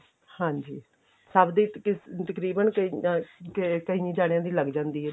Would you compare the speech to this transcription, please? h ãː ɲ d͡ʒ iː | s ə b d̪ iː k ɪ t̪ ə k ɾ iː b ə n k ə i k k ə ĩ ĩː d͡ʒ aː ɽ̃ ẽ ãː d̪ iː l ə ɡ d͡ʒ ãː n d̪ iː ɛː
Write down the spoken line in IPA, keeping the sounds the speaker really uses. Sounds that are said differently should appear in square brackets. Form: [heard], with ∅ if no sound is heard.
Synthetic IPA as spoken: h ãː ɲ d͡ʒ iː | s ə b d̪ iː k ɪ t̪ ə k ɾ iː b ə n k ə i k k ə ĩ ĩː d͡ʒ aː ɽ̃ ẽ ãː d̪ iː l ə ɡ d͡ʒ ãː n d̪ iː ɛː